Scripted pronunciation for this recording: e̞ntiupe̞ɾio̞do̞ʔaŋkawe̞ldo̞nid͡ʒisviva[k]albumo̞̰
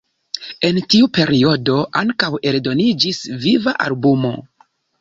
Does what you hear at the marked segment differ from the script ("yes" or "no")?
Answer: yes